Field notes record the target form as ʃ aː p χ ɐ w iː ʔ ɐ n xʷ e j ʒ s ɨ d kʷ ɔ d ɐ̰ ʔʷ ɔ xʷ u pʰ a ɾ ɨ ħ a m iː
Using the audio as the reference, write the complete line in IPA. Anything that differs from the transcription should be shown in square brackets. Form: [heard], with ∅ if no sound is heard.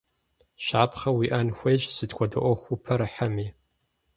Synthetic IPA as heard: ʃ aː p χ ɐ w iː ʔ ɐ n xʷ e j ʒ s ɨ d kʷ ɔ d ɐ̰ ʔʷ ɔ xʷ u pʰ [ɐ] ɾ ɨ ħ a m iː